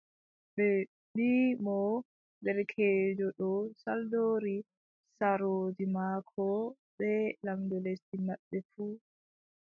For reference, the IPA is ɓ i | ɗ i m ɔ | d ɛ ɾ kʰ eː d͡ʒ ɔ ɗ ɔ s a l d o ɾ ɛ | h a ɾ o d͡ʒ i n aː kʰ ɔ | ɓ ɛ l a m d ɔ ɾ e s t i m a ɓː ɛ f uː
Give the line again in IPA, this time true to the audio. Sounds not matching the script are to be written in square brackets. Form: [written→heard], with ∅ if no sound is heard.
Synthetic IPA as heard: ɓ [i→ɛ] | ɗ i m ɔ | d ɛ ɾ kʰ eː d͡ʒ ɔ ɗ ɔ s a l d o ɾ [ɛ→i] | [h→s] a ɾ o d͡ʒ i [n→m] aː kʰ ɔ | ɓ ɛ l a m d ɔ [ɾ→l] e s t i m a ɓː ɛ f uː